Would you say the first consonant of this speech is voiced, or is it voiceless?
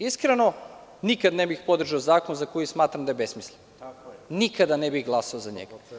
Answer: voiceless